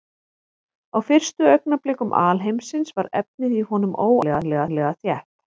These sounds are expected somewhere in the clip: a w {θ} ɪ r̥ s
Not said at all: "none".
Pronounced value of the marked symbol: f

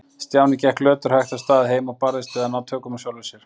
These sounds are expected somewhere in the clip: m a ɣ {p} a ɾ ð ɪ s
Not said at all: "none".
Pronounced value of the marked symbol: p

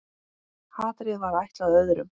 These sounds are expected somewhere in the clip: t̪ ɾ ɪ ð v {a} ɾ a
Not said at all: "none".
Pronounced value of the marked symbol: a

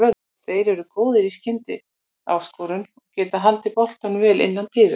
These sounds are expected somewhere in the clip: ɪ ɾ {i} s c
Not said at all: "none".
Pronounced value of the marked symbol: i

